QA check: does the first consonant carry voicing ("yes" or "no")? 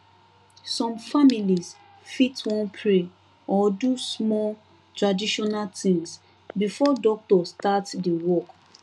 no